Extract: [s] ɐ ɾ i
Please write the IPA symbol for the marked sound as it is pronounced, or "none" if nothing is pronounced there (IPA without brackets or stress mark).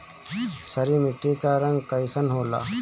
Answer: s